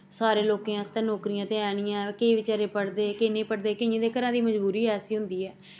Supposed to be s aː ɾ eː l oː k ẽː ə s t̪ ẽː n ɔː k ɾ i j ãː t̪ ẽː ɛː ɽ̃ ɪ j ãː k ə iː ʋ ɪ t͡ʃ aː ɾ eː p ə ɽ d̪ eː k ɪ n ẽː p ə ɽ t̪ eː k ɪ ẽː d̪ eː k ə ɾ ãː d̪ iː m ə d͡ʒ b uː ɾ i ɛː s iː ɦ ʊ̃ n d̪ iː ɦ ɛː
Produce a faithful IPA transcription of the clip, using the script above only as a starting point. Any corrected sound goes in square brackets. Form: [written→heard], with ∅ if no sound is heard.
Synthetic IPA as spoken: s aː ɾ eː l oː k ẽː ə s t̪ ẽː n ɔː k ɾ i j ãː t̪ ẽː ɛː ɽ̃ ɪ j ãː k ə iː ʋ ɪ t͡ʃ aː ɾ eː p ə ɽ d̪ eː k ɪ n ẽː p ə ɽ [t̪→d̪] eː k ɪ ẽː d̪ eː k ə ɾ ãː d̪ iː m ə d͡ʒ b uː ɾ [i→iː] ɛː s iː ɦ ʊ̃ n d̪ iː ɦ ɛː